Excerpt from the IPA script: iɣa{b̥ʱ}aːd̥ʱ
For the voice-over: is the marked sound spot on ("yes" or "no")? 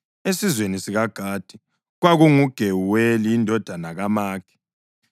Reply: no